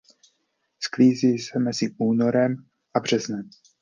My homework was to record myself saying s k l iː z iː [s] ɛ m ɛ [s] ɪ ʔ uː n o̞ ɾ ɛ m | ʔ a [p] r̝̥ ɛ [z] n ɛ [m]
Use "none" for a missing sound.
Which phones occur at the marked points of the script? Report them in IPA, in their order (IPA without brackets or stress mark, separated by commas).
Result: s, z, b, z, m